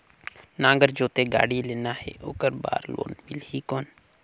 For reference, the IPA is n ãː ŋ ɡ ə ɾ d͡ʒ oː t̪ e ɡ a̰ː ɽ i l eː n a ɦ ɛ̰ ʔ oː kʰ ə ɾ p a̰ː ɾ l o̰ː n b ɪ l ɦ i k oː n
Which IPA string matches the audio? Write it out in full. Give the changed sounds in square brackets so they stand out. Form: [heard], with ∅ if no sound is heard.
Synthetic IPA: n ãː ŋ ɡ ə ɾ d͡ʒ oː t̪ e ɡ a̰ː ɽ i l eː n a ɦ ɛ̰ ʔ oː [k] ə ɾ [b] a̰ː ɾ l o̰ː n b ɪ l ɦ i k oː n

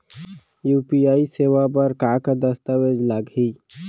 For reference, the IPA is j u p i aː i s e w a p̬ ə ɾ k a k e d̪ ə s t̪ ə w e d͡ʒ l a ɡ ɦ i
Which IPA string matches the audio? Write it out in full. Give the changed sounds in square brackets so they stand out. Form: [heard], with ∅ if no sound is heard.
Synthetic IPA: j u p i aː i s e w a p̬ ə ɾ k a k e d̪ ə s t̪ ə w e d͡ʒ l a ɡ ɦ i

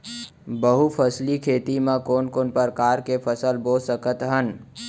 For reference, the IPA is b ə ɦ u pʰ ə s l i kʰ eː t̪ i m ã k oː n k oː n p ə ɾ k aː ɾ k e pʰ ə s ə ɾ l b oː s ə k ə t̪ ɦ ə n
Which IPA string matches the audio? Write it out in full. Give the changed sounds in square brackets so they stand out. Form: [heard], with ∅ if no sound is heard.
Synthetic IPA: b ə ɦ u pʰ ə s l i kʰ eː t̪ i m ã k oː n k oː n p ə ɾ k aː ɾ k e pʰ ə s ə [∅] l b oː s ə k ə t̪ ɦ ə n

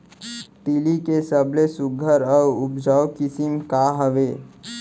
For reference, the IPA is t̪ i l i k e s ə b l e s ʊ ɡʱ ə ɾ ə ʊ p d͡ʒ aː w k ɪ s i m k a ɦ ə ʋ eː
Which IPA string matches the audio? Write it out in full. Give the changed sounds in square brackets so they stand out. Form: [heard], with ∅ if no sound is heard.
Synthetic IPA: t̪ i l i k e s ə b l e s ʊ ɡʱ ə ɾ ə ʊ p d͡ʒ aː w k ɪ s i m k a ɦ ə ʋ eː

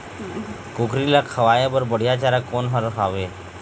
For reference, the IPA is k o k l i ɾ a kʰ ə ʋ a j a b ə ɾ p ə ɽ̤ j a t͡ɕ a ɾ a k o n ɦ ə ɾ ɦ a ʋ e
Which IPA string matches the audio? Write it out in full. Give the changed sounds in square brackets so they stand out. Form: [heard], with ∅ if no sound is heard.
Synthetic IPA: k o k [ɾ] i [l] a kʰ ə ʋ a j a b ə ɾ [b] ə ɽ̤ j a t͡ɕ a ɾ a k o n ɦ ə ɾ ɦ a ʋ e

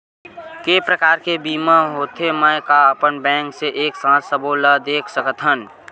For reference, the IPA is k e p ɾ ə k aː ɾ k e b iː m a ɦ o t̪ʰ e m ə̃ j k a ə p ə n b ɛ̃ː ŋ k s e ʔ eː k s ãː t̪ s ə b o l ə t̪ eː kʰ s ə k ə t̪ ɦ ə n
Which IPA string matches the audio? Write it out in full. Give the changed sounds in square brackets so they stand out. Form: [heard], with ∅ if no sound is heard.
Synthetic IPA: k e p ɾ ə k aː ɾ k e b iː m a ɦ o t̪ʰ e m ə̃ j k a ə p ə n b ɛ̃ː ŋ k s e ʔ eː k s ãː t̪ s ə b o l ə [d̪] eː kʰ s ə k ə t̪ ɦ ə n

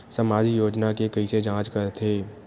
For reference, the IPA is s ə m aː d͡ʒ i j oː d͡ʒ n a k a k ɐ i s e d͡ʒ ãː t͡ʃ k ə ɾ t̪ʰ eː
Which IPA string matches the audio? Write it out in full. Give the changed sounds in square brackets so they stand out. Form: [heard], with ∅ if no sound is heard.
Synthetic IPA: s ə m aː d͡ʒ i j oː d͡ʒ n a k [e] k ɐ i s e d͡ʒ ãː t͡ʃ k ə ɾ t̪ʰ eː

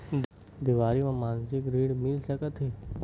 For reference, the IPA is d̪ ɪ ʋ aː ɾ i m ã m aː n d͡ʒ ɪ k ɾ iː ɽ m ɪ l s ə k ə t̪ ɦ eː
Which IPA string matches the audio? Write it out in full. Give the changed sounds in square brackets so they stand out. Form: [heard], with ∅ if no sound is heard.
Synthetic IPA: d̪ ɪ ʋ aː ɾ i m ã m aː n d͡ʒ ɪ k ɾ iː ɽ m ɪ l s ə k ə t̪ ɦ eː

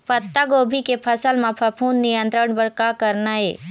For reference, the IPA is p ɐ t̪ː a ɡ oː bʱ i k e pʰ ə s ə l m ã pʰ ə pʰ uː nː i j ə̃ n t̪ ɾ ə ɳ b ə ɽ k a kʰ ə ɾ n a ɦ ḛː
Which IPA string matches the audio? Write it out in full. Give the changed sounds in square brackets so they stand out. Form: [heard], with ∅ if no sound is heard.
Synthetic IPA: p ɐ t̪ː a ɡ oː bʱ i k e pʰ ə s ə l m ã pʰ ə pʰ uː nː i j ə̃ n t̪ ɾ ə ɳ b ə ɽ k a [k] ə ɾ n a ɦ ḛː

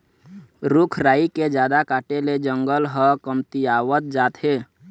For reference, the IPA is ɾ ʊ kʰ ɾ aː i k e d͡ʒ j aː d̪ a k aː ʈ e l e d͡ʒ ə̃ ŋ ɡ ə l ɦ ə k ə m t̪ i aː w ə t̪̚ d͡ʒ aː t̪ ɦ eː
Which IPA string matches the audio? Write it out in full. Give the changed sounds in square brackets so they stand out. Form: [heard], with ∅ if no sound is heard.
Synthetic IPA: ɾ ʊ kʰ ɾ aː i k e d͡ʒ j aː d̪ a k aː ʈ e l e d͡ʒ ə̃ ŋ ɡ ə l ɦ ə k ə m t̪ i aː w ə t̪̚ d͡ʒ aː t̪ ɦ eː

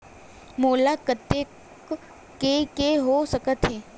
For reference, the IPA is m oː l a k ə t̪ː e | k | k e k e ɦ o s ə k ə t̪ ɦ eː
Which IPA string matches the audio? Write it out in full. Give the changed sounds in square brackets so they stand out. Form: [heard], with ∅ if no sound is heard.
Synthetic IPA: m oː l a k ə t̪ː e | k | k e k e ɦ o s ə k ə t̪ ɦ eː

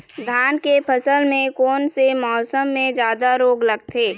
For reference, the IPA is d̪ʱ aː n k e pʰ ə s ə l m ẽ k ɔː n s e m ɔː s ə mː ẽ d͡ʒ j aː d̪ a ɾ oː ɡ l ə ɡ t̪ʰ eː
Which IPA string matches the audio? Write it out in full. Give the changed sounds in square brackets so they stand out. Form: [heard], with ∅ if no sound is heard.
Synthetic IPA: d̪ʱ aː n k e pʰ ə s ə l m ẽ k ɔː n s e m ɔː s ə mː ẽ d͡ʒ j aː d̪ a ɾ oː ɡ l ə ɡ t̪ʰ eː

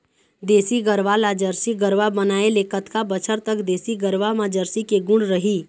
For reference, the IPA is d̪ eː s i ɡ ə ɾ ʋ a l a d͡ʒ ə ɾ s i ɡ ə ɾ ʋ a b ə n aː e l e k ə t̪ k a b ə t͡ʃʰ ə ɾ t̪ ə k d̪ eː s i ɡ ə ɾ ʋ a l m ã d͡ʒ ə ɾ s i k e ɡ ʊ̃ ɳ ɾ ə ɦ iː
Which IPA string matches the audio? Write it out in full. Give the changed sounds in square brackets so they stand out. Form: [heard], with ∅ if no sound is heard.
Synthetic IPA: d̪ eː s i ɡ ə ɾ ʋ a l a d͡ʒ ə ɾ s i ɡ ə ɾ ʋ a b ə n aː e l e k ə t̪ k a b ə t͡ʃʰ ə ɾ t̪ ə k d̪ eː s i ɡ ə ɾ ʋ a [∅] m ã d͡ʒ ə ɾ s i k e ɡ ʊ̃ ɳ ɾ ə ɦ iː

